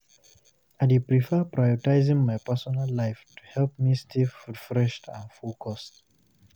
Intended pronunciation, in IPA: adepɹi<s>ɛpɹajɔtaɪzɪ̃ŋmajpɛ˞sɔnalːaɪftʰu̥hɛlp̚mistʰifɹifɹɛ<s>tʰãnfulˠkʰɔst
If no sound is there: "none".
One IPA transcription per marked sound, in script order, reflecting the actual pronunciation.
f, ʃ

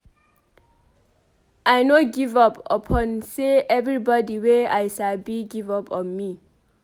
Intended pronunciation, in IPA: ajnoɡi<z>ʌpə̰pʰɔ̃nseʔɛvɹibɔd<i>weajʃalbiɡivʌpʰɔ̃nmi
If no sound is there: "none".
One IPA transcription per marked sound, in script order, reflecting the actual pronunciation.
v, i

